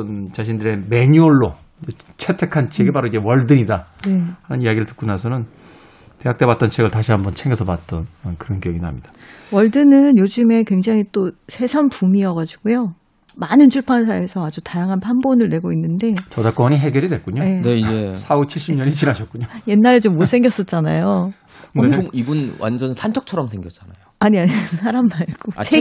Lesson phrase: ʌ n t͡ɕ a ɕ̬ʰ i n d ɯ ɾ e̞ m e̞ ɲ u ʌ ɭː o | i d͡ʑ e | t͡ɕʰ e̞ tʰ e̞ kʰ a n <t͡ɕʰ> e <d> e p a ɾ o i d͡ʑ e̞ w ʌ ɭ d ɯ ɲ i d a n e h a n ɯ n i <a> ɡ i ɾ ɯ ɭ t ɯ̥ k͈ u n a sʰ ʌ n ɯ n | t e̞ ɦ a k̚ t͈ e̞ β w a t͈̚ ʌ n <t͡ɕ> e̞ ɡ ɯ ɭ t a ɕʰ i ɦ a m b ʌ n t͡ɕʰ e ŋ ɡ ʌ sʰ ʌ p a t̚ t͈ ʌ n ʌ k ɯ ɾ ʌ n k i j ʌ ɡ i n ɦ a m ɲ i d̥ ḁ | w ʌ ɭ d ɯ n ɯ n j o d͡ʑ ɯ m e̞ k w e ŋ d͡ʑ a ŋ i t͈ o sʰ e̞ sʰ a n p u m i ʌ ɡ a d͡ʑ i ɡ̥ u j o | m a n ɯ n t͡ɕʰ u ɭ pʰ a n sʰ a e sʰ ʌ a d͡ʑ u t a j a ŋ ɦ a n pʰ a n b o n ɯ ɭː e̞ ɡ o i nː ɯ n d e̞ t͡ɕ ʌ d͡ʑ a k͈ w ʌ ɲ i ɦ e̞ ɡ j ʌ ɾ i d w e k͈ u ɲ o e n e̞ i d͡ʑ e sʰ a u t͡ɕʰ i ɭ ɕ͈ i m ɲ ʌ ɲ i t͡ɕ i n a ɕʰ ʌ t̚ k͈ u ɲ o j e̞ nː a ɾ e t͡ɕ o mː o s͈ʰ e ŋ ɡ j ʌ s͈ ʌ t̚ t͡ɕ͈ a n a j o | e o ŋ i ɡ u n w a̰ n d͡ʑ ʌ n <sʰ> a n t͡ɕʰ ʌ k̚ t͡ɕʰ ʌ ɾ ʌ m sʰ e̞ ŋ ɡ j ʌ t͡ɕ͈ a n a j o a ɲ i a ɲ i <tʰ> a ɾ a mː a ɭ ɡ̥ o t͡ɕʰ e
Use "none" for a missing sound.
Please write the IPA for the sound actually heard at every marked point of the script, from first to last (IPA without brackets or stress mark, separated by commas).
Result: t͡ɕʰ, ɡ, a, t͡ɕʰ, sʰ, sʰ